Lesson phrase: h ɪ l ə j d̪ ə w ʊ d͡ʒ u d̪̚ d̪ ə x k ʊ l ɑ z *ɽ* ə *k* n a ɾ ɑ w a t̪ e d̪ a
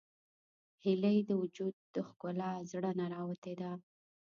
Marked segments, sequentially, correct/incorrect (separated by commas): correct, incorrect